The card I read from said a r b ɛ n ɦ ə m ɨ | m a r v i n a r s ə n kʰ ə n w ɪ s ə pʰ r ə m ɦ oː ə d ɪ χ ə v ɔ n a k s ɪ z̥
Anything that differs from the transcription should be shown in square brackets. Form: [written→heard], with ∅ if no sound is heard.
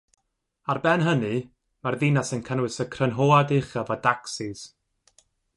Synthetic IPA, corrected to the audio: a r b ɛ n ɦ ə [m→n] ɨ | m a r [v→ð] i n a [r→∅] s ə n kʰ ə n w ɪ s ə [pʰ→kʰ] r ə [m→n] ɦ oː [ə→a] d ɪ χ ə v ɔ [n→d] a k s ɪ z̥